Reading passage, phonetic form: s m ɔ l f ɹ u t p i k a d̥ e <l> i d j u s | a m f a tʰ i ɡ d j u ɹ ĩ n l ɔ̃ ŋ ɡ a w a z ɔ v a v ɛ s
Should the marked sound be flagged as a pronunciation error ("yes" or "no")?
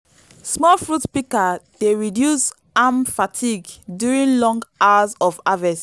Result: yes